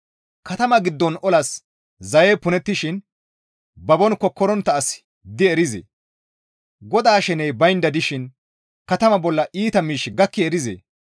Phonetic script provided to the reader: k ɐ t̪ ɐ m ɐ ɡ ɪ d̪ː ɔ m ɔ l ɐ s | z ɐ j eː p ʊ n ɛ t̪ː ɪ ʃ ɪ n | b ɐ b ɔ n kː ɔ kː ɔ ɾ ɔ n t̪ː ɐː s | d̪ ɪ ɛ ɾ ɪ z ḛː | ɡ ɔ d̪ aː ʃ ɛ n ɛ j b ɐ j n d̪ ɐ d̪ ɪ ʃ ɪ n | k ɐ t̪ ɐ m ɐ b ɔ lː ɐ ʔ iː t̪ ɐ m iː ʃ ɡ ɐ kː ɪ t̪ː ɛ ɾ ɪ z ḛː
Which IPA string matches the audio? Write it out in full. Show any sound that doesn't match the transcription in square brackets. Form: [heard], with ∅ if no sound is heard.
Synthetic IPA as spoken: k ɐ t̪ ɐ m ɐ ɡ ɪ d̪ː ɔ [n] ɔ l ɐ s | z ɐ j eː p ʊ n ɛ t̪ː ɪ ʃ ɪ n | b ɐ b ɔ n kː ɔ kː ɔ ɾ ɔ n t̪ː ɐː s | d̪ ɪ ɛ ɾ ɪ z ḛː | ɡ ɔ d̪ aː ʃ ɛ n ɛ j b ɐ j n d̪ ɐ d̪ ɪ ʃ ɪ n | k ɐ t̪ ɐ m ɐ b ɔ lː ɐ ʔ iː t̪ ɐ m iː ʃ ɡ ɐ kː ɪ [∅] ɛ ɾ ɪ z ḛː